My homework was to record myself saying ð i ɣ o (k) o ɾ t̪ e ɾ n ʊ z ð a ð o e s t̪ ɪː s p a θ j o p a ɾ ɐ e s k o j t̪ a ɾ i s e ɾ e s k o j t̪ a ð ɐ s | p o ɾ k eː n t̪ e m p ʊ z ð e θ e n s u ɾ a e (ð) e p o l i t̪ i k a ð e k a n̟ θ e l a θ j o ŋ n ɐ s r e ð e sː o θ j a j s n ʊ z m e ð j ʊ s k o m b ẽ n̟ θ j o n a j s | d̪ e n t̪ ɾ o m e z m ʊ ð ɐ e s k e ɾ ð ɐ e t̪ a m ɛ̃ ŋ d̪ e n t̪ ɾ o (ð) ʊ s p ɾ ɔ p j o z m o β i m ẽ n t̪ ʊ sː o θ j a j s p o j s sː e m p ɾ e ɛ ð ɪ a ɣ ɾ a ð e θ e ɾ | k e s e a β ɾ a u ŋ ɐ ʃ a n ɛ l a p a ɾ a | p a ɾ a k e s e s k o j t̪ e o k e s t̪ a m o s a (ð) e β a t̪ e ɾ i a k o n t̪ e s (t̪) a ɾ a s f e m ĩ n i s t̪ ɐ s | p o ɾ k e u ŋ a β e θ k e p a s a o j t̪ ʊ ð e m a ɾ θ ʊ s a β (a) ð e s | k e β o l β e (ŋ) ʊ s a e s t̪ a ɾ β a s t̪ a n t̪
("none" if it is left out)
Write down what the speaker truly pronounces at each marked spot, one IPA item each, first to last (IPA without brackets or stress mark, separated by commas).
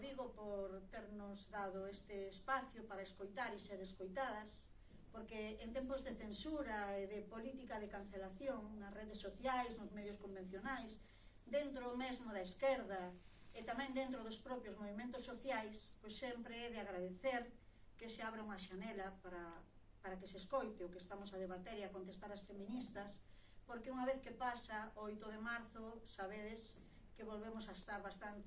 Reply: p, ð, ð, ð, t̪, e, m